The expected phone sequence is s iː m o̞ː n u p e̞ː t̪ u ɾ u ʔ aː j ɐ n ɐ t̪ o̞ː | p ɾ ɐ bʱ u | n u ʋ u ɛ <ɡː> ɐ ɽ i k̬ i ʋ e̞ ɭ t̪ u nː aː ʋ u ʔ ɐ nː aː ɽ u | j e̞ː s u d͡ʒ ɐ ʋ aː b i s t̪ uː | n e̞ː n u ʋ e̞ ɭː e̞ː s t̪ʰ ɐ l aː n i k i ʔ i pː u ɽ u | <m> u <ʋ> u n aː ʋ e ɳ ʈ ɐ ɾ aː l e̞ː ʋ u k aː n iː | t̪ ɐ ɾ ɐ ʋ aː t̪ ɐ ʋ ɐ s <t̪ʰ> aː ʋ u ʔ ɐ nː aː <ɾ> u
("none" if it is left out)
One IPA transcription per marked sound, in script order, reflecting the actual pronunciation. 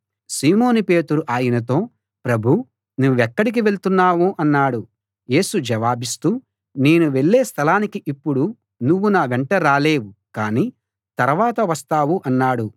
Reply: kː, n, ʋː, t̪, ɽ

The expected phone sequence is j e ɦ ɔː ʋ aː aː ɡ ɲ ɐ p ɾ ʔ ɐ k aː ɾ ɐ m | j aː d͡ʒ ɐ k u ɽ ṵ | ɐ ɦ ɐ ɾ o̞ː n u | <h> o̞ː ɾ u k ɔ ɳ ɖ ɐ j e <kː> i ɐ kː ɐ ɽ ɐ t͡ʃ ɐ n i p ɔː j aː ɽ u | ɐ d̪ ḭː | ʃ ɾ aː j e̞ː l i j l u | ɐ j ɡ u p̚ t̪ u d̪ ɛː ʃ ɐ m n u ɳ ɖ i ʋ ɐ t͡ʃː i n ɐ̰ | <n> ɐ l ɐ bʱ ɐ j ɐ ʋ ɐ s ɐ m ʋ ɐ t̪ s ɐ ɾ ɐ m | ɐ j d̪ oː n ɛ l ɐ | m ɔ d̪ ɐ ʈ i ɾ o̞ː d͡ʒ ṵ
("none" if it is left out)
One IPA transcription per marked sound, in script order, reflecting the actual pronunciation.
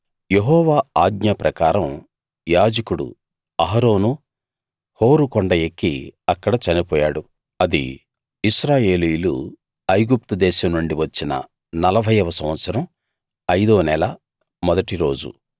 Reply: h, kː, n

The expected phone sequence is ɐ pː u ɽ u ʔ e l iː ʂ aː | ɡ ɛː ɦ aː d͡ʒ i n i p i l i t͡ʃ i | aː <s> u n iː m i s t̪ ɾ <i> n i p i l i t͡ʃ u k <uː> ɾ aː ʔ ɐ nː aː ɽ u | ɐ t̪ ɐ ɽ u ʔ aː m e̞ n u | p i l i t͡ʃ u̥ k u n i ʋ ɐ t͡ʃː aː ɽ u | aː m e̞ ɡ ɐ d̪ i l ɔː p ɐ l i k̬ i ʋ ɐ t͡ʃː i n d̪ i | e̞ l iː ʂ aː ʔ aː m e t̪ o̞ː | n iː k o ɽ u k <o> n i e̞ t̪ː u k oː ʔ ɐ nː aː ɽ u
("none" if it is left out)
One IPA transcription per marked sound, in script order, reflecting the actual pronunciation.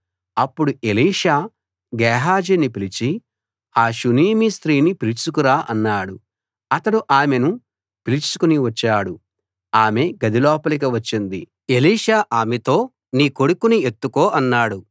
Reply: ʃ, iː, u, u

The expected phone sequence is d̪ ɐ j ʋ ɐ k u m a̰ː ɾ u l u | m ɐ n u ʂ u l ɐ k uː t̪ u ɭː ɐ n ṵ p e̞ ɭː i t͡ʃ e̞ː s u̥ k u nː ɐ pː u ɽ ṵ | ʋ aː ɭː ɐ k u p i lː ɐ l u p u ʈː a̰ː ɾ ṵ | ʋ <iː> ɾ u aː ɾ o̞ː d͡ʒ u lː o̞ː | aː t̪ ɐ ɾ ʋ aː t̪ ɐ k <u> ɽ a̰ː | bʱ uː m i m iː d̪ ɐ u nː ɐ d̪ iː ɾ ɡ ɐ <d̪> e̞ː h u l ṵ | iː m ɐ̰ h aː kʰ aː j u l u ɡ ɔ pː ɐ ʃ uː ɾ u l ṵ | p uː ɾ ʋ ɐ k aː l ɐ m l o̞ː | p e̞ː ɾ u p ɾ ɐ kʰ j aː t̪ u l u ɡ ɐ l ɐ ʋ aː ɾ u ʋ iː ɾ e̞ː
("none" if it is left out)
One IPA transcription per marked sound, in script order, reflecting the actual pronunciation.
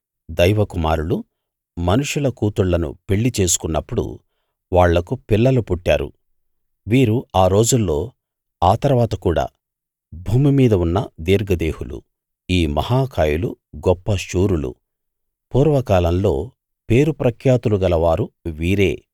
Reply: iː, uː, d̪

